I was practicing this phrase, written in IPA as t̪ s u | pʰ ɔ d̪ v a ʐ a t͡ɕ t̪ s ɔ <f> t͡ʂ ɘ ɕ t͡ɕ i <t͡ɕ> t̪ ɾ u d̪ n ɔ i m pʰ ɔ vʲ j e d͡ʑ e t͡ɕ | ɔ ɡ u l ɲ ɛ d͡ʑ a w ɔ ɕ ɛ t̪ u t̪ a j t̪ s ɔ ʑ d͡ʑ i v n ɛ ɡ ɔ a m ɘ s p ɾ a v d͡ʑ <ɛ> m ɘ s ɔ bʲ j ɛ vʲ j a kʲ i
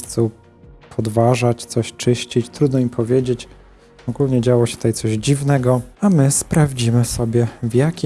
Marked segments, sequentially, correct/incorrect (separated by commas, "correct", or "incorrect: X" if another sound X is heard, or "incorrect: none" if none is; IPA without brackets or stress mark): incorrect: ɕ, correct, incorrect: i